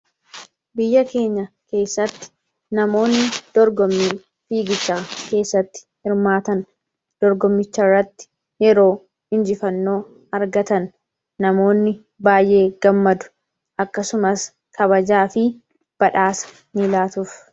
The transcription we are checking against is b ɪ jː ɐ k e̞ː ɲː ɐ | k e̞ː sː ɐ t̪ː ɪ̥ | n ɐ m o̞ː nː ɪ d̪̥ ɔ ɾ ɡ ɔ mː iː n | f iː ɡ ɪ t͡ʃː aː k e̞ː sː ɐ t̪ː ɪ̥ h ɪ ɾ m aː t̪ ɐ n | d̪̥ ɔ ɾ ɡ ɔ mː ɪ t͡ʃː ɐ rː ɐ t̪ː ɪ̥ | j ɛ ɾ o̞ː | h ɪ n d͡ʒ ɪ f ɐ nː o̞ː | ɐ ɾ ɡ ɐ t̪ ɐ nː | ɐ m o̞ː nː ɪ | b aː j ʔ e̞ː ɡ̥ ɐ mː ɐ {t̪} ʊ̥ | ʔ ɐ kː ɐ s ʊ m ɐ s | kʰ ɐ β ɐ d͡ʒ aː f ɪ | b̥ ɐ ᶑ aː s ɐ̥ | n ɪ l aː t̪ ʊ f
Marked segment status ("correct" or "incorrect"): incorrect